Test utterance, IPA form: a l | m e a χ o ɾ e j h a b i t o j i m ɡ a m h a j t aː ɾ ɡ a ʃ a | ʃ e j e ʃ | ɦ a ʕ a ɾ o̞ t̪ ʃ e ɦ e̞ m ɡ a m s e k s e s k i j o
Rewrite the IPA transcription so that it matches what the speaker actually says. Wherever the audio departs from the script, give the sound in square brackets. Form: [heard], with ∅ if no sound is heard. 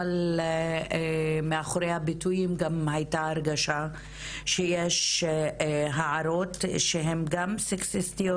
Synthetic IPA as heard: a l | m e a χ o ɾ e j h a b i t [u] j i m ɡ a m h a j t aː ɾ ɡ a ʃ a | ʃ e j e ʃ | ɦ a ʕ a ɾ o̞ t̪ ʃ e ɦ e̞ m ɡ a m s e k s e s [t] i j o